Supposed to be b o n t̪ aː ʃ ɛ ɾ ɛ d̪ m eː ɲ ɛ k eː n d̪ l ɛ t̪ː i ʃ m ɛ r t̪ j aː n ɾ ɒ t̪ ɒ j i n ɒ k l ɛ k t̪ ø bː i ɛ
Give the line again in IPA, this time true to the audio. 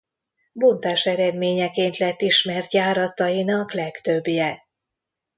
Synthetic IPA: b o n t̪ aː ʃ ɛ ɾ ɛ d̪ m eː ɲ ɛ k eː n t̪ l ɛ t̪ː i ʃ m ɛ r t̪ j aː ɾ ɒ t̪ ɒ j i n ɒ k l ɛ k t̪ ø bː j ɛ

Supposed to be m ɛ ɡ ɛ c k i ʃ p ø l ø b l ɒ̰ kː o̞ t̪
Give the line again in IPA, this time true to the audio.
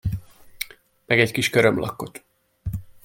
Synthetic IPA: m ɛ ɡ ɛ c k i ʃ k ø ɾ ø m l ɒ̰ kː o̞ t̪

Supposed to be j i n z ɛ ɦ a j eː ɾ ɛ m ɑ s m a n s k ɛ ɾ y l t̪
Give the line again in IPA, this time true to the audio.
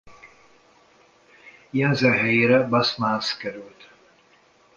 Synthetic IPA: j ɛ n z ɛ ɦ ɛ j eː ɾ ɛ b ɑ s m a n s k ɛ ɾ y l t̪

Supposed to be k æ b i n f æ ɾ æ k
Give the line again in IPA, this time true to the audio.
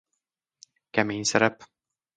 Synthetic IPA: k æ m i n s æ ɾ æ p

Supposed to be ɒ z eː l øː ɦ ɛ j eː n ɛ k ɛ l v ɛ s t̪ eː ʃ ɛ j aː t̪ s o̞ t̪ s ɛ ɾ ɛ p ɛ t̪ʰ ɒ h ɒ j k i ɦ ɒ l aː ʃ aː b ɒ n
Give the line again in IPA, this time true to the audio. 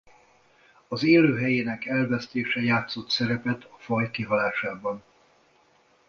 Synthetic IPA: ɒ z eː l øː ɦ ɛ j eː n ɛ k ɛ l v ɛ s t̪ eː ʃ ɛ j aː t̪ s o̞ t̪ s ɛ ɾ ɛ p ɛ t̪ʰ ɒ f ɒ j k i ɦ ɒ l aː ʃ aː b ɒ n

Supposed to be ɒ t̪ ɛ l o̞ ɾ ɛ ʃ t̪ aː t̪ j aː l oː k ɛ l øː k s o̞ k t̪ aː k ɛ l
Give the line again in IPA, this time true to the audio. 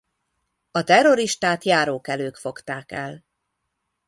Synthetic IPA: ɒ t̪ ɛ r o̞ ɾ i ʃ t̪ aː t̪ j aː ɾ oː k ɛ l øː k f o̞ k t̪ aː k ɛ l

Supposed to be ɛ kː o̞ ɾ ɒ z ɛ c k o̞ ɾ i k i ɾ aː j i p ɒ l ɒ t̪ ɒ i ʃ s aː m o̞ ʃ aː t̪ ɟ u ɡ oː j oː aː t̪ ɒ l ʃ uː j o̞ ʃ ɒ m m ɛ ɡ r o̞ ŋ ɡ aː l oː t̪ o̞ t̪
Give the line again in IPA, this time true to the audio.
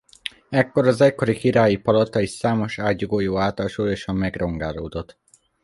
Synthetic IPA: ɛ kː o̞ ɾ ɒ z ɛ c k o̞ ɾ i k i ɾ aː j i p ɒ l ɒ t̪ ɒ i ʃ s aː m o̞ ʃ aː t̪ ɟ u ɡ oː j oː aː t̪ ɒ l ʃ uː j o̞ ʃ ɒ m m ɛ ɡ r o̞ ŋ ɡ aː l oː d̪ o̞ t̪

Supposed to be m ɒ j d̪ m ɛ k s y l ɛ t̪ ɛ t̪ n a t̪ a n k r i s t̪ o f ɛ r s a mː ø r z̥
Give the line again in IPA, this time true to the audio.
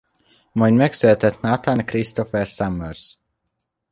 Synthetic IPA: m ɒ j d̪ m ɛ k s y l ɛ t̪ ɛ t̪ n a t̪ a n k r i s t̪ o f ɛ r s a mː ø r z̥

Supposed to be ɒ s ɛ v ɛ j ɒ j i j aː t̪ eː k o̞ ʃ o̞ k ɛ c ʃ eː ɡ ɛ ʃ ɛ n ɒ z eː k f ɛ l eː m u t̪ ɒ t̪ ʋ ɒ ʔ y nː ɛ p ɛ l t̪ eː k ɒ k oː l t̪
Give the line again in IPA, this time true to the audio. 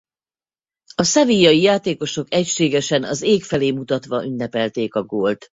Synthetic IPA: ɒ s ɛ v i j ɒ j i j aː t̪ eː k o̞ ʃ o̞ k ɛ c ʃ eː ɡ ɛ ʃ ɛ n ɒ z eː k f ɛ l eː m u t̪ ɒ t̪ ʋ ɒ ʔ y nː ɛ p ɛ l t̪ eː k ɒ ɡ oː l t̪

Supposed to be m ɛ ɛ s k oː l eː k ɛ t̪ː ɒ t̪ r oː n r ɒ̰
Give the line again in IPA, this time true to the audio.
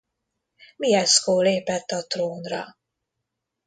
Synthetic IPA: m i ɛ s k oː l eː p ɛ t̪ː ɒ t̪ r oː n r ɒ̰

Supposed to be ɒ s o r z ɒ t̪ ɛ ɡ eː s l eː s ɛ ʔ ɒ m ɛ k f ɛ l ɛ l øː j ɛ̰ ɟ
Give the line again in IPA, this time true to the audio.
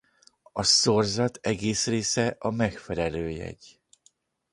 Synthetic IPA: ɒ s o r z ɒ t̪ ɛ ɡ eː s r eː s ɛ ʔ ɒ m ɛ k f ɛ l ɛ l øː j ɛ̰ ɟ

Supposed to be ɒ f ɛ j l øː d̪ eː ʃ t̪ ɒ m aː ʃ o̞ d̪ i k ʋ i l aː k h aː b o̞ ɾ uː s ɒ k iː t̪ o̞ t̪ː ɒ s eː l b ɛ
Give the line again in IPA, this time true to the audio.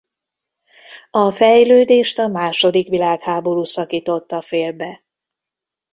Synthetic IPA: ɒ f ɛ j l øː d̪ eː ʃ t̪ ɒ m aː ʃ o̞ d̪ i k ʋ i l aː k h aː b o̞ ɾ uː s ɒ k iː t̪ o̞ t̪ː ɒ f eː l b ɛ

